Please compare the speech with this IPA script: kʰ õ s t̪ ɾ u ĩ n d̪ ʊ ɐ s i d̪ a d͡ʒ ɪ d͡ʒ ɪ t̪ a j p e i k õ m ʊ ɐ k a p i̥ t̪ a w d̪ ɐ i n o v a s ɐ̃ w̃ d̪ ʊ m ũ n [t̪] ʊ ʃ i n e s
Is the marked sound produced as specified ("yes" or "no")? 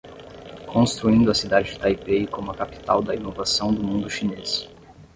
no